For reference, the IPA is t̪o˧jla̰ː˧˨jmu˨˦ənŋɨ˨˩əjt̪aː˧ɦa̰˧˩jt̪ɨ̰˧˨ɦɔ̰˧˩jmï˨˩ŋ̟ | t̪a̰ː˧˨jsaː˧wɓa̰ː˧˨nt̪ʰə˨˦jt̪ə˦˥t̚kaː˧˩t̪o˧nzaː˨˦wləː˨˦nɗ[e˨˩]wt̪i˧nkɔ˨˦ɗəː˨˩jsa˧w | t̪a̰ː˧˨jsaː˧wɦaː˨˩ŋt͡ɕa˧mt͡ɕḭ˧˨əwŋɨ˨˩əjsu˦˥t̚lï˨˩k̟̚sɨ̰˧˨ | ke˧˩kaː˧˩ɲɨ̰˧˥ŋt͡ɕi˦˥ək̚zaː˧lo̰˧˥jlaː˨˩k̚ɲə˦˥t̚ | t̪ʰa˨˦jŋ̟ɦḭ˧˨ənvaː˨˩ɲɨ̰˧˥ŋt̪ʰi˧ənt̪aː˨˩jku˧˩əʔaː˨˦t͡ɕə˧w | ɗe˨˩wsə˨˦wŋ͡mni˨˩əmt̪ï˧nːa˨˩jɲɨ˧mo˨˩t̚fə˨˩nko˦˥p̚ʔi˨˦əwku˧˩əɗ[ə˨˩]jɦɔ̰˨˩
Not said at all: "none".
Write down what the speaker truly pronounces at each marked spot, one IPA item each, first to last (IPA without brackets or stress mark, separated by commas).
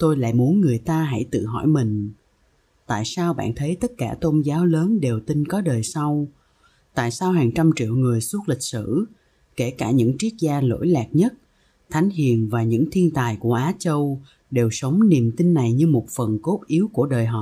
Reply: e˨˩, əː˨˩